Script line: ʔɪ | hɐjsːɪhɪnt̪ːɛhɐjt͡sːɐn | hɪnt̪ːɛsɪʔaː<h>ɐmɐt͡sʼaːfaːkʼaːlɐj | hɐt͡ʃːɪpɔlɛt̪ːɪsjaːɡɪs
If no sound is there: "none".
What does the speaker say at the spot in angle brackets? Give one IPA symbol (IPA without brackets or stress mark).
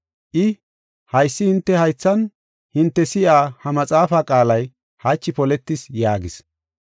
h